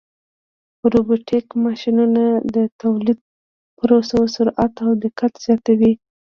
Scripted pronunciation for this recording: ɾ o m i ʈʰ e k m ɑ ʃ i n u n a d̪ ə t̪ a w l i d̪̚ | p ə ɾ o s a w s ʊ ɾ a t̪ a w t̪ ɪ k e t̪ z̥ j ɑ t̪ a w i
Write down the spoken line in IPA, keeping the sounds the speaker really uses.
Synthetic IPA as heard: ɾ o b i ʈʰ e k m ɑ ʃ i n u n a d̪ ə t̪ a w l i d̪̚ | p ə ɾ o s a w s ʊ ɾ a t̪ a w d̪ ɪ k a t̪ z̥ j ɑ t̪ a w i